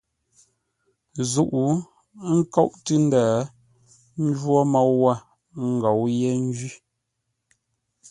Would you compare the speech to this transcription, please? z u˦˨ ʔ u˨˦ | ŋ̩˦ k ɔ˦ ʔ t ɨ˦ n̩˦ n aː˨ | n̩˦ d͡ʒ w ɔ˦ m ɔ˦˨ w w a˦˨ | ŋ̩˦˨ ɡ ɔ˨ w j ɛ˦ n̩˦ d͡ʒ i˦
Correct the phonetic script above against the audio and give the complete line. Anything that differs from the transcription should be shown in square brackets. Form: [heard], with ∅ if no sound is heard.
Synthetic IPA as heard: z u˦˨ ʔ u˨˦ | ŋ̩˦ k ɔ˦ ʔ t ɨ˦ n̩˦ [d] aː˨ | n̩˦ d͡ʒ w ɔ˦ m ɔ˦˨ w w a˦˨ | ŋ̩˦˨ ɡ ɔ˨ w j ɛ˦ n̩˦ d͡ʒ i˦